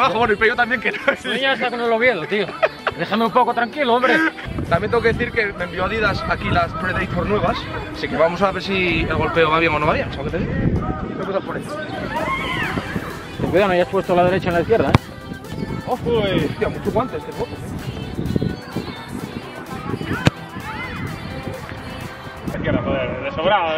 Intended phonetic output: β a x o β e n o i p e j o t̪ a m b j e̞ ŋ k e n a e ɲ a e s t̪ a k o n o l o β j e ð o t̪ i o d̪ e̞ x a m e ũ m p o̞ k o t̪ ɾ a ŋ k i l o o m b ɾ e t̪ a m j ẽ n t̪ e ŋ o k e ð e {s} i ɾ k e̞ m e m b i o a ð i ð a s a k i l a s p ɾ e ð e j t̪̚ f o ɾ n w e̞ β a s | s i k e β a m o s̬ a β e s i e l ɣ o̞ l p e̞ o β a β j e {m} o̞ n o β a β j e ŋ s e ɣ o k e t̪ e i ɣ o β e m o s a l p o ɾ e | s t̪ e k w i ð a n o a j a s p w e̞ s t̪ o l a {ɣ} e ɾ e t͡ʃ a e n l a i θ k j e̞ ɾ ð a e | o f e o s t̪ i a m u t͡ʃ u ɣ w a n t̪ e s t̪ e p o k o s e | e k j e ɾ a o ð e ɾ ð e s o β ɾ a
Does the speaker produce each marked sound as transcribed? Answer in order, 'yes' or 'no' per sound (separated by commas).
no, no, no